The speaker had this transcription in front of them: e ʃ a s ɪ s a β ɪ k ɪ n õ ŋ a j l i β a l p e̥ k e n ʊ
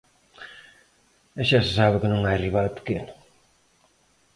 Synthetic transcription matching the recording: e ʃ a s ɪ s a β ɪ k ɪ n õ ŋ a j r i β a l p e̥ k e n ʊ